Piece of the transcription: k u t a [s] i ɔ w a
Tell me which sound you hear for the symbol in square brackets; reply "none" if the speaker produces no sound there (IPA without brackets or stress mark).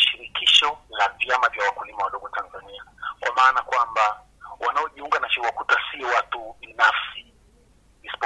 s